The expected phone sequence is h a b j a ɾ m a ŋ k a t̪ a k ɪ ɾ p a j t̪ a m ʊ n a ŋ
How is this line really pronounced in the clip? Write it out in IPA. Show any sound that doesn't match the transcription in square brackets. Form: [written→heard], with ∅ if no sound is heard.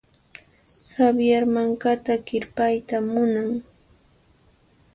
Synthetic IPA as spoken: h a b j a ɾ m a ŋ k a t̪ a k ɪ ɾ p a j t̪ a m ʊ n a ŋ